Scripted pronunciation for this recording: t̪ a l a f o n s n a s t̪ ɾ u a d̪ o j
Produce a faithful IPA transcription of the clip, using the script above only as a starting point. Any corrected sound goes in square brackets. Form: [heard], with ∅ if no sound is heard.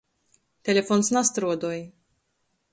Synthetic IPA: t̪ [e] l [e] f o n s n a s t̪ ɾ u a d̪ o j